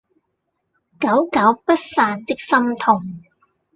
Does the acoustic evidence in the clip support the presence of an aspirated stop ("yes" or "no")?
yes